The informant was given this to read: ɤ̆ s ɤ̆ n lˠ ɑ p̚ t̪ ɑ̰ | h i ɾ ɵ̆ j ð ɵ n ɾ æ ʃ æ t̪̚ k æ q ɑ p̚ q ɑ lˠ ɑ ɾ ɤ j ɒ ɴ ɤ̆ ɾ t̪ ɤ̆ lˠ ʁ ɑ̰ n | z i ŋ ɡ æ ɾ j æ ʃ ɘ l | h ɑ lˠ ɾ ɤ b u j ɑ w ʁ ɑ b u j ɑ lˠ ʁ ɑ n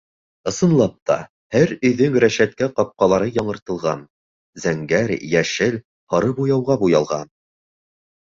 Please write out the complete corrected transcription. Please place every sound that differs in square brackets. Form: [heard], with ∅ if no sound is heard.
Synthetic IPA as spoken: ɤ̆ s ɤ̆ n lˠ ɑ p̚ t̪ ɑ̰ | h [æ] ɾ ɵ̆ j ð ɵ [ŋ] ɾ æ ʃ æ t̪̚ k æ q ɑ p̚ q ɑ lˠ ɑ ɾ ɤ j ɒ ɴ ɤ̆ ɾ t̪ ɤ̆ lˠ ʁ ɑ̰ n | z [æ] ŋ ɡ æ ɾ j æ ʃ ɘ l | h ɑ [∅] ɾ ɤ b u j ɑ w ʁ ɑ b u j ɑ lˠ ʁ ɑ n